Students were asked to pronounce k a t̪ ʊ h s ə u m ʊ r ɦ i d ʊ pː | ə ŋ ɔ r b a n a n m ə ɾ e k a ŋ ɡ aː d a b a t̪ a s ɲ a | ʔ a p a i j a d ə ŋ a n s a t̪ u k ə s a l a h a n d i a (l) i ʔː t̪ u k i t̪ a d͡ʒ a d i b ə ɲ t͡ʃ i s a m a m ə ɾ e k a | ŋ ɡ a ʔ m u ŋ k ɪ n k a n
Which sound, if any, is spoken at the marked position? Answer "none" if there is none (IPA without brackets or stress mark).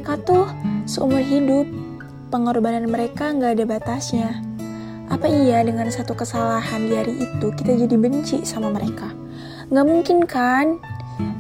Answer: ɾ